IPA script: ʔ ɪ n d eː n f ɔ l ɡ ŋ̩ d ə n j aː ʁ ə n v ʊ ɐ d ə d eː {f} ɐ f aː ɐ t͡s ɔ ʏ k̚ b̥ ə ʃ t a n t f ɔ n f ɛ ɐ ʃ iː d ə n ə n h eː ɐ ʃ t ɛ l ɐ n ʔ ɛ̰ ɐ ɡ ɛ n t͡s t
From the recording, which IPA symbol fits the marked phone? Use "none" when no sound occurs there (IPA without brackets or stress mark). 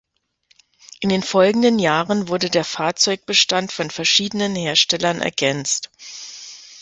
none